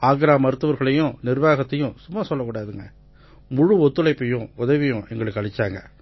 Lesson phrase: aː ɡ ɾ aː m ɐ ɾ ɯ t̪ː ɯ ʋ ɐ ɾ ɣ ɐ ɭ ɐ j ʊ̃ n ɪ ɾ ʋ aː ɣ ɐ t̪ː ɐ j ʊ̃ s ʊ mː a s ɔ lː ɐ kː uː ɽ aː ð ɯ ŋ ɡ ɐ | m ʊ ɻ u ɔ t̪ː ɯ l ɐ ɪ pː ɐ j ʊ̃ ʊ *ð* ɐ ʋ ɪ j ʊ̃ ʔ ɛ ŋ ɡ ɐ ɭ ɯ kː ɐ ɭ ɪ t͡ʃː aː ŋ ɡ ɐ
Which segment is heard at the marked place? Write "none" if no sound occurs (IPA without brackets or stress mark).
ð